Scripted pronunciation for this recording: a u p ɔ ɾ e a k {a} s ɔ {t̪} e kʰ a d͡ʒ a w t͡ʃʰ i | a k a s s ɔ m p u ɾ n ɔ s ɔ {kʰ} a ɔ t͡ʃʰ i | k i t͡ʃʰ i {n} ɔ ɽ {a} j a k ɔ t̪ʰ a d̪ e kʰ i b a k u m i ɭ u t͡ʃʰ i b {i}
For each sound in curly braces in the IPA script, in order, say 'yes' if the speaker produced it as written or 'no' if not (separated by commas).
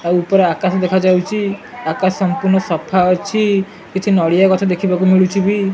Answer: yes, no, no, yes, no, yes